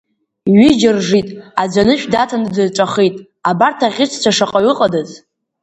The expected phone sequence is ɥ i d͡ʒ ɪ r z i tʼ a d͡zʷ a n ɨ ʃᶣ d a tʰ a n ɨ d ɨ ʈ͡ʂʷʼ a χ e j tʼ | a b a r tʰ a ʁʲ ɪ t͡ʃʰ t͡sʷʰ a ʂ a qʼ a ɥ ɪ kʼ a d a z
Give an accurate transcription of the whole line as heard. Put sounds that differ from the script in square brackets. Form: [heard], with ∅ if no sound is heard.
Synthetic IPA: ɥ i d͡ʒ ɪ r [ʐ] i tʼ a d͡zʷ a n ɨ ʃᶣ d a tʰ a n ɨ d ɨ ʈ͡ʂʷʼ a χ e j tʼ | a b a r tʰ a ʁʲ ɪ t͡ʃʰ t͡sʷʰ a ʂ a qʼ a ɥ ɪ [qʼ] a d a z